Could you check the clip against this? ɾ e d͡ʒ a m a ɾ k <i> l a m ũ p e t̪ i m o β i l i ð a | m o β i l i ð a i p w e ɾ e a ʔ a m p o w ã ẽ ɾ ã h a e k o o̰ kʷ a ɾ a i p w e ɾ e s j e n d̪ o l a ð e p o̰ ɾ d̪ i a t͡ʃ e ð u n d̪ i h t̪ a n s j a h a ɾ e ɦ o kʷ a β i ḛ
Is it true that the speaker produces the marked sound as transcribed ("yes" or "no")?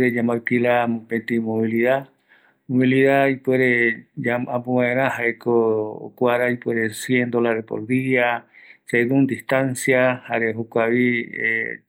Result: yes